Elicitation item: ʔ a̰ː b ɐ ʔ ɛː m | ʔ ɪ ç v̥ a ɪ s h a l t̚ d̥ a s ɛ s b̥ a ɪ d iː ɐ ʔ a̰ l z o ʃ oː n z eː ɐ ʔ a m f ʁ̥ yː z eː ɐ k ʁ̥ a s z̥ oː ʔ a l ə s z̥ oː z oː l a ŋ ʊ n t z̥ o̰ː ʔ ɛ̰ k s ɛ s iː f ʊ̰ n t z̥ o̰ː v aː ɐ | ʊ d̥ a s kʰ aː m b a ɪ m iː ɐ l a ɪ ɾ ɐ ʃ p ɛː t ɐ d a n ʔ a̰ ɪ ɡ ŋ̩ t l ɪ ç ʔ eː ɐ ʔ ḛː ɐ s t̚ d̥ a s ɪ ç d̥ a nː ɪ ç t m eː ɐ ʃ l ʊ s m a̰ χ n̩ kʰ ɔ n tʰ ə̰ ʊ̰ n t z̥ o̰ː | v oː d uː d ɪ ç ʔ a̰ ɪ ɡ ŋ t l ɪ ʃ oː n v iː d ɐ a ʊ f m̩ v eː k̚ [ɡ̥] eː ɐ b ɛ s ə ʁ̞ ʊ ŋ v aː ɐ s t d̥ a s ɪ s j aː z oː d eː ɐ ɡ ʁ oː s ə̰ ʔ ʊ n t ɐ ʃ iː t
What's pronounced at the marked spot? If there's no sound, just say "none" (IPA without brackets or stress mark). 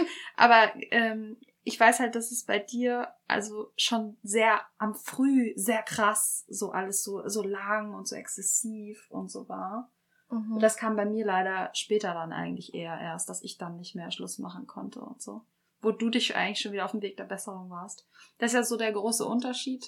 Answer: d̥